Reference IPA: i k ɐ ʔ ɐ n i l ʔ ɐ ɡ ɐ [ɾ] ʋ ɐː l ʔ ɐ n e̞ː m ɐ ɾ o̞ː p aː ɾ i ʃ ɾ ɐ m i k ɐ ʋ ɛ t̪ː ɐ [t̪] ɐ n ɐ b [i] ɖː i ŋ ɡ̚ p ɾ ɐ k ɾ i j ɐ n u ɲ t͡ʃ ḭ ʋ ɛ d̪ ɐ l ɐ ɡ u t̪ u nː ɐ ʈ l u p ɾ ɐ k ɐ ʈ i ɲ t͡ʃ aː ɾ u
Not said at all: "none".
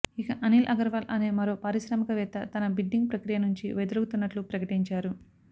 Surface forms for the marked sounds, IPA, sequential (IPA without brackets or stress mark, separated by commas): ɾ, t̪, i